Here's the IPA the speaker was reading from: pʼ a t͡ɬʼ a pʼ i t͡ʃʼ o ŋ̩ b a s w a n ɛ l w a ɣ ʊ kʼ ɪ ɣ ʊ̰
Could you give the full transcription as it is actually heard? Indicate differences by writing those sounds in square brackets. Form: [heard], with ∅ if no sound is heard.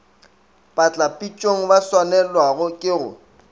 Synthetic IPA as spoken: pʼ a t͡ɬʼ a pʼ i t͡ʃʼ o ŋ̩ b a s w a n ɛ l w a ɣ ʊ kʼ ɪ ɣ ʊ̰